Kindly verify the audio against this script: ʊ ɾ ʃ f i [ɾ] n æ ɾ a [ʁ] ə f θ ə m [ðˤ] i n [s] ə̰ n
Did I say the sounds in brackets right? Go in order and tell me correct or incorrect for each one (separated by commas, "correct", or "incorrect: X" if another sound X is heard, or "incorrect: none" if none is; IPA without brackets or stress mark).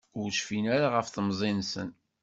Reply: incorrect: none, correct, incorrect: zˤ, correct